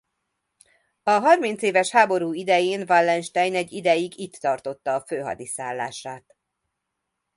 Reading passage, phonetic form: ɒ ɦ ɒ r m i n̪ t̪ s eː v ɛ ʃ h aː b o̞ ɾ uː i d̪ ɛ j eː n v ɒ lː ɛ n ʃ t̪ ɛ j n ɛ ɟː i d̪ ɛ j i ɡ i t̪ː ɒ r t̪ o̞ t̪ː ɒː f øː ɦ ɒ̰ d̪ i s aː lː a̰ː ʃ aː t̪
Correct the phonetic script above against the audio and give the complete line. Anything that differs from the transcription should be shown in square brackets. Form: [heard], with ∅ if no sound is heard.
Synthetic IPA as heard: ɒ ɦ ɒ r m i n̪ t̪ s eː v ɛ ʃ h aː b o̞ ɾ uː i d̪ ɛ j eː n v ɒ lː ɛ n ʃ t̪ ɛ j n ɛ ɟː i d̪ ɛ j i ɡ i t̪ː ɒ r t̪ o̞ t̪ː ɒː f øː ɦ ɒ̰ d̪ i s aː lː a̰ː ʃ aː t̪